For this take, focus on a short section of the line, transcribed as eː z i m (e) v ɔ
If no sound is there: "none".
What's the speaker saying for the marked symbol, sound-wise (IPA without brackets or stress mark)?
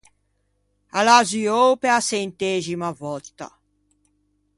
a